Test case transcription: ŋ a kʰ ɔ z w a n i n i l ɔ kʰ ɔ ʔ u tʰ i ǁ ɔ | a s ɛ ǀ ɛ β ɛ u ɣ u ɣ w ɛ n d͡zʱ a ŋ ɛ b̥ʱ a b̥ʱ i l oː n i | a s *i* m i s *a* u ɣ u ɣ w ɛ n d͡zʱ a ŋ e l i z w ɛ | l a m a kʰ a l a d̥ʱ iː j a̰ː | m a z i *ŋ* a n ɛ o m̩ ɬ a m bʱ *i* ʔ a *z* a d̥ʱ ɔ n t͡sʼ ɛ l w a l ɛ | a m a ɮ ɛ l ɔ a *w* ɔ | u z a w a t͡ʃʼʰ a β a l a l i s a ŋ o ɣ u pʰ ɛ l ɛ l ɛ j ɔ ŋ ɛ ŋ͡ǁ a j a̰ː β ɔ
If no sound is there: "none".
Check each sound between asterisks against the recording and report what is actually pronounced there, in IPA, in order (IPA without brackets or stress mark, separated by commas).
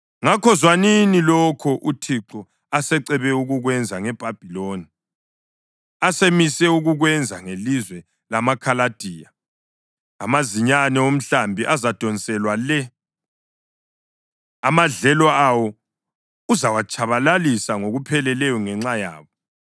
e, ɛ, ɲ, i, z, w